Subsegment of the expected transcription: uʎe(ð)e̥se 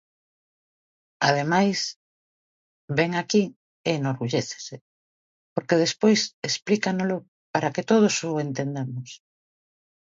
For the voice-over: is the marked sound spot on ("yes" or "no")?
no